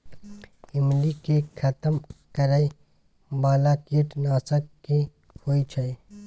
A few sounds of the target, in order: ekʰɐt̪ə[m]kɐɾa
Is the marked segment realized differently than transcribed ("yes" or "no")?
no